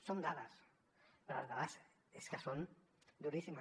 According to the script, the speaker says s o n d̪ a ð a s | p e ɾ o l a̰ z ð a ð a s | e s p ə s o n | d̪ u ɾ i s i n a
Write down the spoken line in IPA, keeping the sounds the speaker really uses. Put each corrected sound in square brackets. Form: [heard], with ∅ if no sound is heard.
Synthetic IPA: s o n d̪ a ð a s | p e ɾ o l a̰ z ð a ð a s | e s [k] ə s o n | d̪ u ɾ i s i [m] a